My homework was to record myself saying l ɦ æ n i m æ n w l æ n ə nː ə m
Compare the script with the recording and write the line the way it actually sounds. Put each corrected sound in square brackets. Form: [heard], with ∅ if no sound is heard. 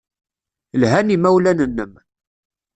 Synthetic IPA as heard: l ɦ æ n i m æ [∅] w l æ n ə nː ə m